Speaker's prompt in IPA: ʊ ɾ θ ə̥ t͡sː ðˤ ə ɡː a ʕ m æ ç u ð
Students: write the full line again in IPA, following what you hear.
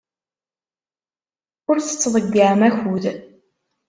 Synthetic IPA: ʊ ɾ θ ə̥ t͡sː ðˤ ə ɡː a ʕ m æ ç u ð